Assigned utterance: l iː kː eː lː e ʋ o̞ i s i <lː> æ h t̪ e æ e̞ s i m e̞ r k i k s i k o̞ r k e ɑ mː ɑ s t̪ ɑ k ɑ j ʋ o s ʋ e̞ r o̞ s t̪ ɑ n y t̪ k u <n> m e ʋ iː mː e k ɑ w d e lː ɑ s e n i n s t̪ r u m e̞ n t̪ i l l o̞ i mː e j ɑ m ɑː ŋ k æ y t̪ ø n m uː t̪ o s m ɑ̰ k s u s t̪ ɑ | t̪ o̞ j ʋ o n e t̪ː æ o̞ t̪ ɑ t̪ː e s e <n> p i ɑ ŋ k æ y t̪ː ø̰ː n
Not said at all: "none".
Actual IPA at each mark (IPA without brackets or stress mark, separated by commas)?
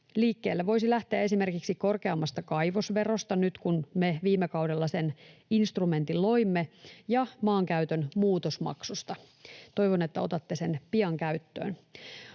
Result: l, n, n